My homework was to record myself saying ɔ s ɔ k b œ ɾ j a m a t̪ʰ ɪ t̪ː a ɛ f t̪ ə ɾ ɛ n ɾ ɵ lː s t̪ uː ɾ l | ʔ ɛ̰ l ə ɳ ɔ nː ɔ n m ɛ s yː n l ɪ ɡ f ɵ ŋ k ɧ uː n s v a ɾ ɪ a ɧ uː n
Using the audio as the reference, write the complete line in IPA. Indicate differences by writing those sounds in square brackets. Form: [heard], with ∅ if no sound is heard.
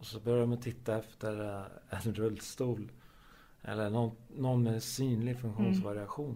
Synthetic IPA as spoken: ɔ s ɔ [∅] b œ ɾ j a m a t̪ʰ ɪ t̪ː a ɛ f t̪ ə ɾ ɛ n ɾ ɵ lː s t̪ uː [∅] l | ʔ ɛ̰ [lː] ə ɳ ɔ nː ɔ n m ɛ s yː n l ɪ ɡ f ɵ ŋ k ɧ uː n s v a ɾ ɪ a ɧ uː n